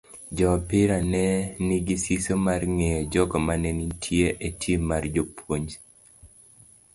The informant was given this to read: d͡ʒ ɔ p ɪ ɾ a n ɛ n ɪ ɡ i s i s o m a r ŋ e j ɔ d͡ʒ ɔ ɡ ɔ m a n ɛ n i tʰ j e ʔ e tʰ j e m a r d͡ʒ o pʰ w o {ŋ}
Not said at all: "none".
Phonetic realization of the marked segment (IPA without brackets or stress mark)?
ɲ